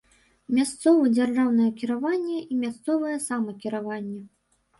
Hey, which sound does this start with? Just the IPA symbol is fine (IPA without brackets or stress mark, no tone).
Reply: mʲ